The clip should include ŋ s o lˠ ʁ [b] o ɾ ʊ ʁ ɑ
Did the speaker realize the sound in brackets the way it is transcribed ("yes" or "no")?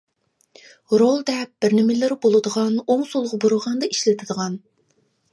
yes